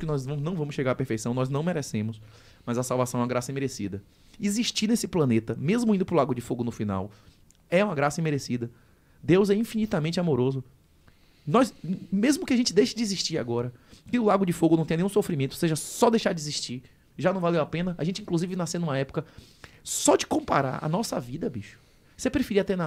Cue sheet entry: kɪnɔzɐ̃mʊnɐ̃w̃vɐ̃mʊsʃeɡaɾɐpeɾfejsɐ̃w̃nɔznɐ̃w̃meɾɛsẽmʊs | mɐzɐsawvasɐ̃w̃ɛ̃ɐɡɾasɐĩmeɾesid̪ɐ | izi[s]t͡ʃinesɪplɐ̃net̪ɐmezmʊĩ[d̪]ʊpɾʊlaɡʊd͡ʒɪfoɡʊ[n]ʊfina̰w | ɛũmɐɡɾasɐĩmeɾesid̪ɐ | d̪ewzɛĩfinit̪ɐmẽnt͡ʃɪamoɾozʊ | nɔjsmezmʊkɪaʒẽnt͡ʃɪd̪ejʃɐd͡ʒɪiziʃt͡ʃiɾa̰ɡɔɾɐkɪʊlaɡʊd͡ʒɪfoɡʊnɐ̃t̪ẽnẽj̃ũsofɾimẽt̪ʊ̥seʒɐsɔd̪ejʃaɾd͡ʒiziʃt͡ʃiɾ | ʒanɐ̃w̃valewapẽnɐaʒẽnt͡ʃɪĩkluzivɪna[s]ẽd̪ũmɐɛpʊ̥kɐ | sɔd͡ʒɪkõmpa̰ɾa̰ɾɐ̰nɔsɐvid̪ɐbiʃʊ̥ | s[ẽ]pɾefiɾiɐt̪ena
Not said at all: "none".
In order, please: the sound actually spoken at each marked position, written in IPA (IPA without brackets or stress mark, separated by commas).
ʃ, d̪, n, s, e